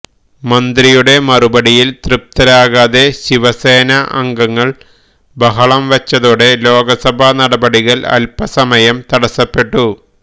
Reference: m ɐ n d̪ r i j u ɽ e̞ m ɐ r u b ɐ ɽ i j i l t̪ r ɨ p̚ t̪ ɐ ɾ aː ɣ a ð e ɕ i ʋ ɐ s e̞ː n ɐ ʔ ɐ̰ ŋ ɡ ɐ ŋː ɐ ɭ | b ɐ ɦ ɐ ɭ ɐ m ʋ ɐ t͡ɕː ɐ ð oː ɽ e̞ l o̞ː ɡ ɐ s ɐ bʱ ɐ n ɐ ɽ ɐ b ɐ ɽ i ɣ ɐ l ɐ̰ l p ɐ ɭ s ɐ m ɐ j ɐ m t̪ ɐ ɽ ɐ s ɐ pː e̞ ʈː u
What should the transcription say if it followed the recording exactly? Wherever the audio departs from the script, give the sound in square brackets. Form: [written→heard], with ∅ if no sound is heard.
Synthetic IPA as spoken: m ɐ n d̪ r i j u ɽ e̞ m ɐ r u b ɐ ɽ i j i l t̪ r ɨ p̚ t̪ ɐ ɾ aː ɣ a ð e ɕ i ʋ ɐ s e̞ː n ɐ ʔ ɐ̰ ŋ ɡ ɐ ŋː ɐ ɭ | b ɐ ɦ ɐ ɭ ɐ m ʋ ɐ t͡ɕː ɐ ð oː ɽ e̞ l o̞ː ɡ ɐ s ɐ bʱ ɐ n ɐ ɽ ɐ b ɐ ɽ i ɣ ɐ l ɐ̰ l p ɐ [ɭ→∅] s ɐ m ɐ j ɐ m t̪ ɐ ɽ ɐ s ɐ pː e̞ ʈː u